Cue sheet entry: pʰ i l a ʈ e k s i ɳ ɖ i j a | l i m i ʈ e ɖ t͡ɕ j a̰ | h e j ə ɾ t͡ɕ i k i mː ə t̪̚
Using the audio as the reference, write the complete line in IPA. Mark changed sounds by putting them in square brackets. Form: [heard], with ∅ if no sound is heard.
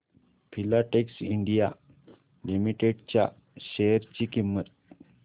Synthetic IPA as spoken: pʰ i l a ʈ e k s i ɳ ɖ i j a | l i m i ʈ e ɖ t͡ɕ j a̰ | [ɕ] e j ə ɾ t͡ɕ i k i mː ə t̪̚